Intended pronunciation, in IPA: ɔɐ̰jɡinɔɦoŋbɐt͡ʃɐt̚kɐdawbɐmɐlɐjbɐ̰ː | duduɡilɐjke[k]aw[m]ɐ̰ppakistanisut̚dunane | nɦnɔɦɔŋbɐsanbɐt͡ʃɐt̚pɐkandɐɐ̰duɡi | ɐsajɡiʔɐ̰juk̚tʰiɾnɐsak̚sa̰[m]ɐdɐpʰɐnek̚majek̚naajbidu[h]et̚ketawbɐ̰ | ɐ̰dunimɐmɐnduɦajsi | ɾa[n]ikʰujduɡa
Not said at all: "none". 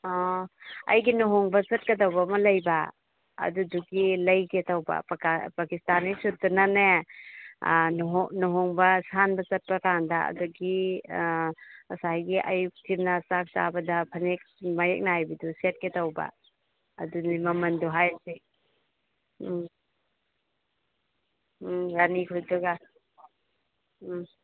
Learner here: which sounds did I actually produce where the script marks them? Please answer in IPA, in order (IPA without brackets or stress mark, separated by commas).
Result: t, b, b, s, n